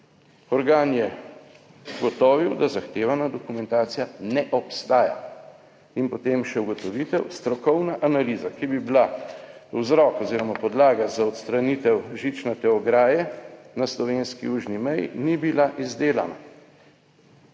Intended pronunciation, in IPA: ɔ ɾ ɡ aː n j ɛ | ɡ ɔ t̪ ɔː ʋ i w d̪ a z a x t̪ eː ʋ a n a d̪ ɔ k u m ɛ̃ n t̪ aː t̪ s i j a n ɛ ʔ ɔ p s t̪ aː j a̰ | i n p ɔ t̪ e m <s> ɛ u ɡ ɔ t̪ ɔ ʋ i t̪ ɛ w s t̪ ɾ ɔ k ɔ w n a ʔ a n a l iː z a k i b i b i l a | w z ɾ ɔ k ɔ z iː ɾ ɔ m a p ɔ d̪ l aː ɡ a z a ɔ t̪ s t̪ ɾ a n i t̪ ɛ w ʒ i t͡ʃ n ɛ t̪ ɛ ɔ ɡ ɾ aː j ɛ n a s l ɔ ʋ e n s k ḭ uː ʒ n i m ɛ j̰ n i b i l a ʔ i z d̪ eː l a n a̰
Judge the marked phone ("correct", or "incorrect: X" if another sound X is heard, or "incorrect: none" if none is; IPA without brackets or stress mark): incorrect: ʃ